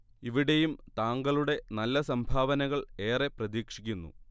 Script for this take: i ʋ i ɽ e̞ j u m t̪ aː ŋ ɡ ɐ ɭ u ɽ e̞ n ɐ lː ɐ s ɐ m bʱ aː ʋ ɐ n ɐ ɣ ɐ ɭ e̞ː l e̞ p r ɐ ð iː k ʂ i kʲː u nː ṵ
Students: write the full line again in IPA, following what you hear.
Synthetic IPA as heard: i ʋ i ɽ e̞ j u m t̪ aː ŋ ɡ ɐ ɭ u ɽ e̞ n ɐ lː ɐ s ɐ m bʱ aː ʋ ɐ n ɐ ɣ ɐ ɭ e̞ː r e̞ p r ɐ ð iː k ʂ i kʲː u nː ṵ